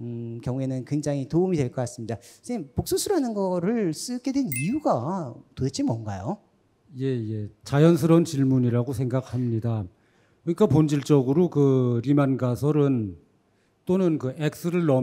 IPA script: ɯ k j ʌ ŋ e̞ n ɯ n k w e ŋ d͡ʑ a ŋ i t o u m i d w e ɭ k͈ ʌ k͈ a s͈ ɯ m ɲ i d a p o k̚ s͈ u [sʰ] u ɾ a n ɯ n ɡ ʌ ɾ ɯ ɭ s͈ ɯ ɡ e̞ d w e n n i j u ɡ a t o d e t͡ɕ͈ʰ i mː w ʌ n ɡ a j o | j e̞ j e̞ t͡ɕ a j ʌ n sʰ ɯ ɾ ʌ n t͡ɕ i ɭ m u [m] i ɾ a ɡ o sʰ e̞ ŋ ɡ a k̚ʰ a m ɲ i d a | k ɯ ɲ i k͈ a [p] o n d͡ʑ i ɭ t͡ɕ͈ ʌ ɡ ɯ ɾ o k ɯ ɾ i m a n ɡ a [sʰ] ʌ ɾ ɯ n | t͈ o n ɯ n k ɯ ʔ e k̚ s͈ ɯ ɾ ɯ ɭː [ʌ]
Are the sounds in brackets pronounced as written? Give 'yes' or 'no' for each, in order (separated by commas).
yes, no, yes, yes, yes